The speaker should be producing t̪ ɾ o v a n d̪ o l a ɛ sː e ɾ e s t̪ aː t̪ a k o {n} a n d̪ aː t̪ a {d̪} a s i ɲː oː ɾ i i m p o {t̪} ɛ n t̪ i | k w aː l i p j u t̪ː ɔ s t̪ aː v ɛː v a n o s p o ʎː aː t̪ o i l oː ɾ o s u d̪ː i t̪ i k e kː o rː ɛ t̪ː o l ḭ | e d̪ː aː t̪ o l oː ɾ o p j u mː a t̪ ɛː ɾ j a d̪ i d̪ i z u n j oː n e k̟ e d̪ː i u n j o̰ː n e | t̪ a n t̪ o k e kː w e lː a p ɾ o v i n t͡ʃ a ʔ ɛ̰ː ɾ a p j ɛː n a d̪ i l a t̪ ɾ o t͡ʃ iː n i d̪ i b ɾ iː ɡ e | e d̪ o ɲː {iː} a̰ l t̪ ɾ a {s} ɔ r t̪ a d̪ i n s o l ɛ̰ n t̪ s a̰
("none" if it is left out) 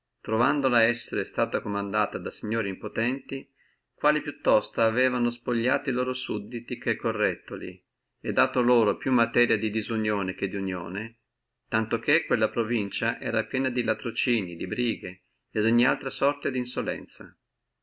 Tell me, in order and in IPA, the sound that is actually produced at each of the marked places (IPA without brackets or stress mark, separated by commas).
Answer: m, d̪, t̪, i, s